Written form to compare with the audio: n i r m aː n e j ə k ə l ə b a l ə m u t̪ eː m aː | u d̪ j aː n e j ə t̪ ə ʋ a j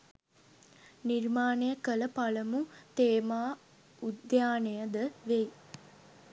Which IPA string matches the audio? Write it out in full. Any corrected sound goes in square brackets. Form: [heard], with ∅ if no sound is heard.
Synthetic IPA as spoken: n i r m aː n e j ə k ə l ə [p] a l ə m u t̪ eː m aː | u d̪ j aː n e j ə [d̪] ə ʋ [e] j